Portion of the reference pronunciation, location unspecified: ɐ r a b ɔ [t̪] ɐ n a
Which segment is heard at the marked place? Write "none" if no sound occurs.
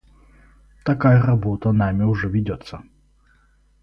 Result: t̪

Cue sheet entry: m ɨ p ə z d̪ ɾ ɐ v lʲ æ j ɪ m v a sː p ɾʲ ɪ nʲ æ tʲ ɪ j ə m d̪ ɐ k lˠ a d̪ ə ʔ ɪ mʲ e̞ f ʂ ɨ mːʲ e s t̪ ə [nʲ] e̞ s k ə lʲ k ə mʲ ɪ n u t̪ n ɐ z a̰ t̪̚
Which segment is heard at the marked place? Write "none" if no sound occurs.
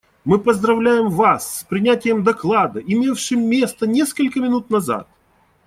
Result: nʲ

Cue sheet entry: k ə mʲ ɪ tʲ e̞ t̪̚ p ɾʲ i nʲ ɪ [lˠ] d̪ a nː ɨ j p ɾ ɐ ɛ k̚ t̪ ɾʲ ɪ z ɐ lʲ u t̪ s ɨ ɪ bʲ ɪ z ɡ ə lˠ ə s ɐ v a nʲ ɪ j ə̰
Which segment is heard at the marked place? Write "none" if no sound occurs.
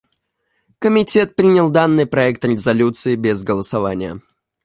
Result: lˠ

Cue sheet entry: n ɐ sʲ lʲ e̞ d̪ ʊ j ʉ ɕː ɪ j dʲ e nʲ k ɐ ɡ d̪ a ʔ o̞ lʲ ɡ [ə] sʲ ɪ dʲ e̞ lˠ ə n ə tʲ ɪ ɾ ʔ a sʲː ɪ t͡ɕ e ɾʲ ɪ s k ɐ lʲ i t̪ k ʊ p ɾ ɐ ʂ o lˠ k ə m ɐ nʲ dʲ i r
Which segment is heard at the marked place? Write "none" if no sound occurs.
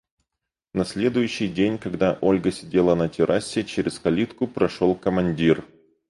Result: ə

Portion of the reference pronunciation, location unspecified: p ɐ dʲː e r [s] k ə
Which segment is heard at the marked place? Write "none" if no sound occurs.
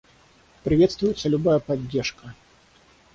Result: ʂ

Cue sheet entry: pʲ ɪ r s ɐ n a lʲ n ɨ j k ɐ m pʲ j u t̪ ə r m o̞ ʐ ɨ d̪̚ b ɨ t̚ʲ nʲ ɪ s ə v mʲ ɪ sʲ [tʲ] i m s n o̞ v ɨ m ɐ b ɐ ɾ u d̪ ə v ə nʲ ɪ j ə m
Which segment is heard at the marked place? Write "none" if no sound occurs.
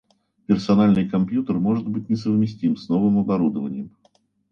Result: tʲ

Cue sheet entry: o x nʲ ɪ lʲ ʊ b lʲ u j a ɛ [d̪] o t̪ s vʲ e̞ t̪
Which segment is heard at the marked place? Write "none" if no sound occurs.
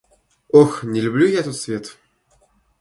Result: t̪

